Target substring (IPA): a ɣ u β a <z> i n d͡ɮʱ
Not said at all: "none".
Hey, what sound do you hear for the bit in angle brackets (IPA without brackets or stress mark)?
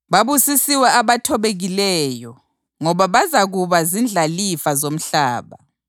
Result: z